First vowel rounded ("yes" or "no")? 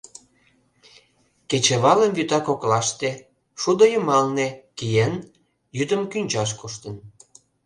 no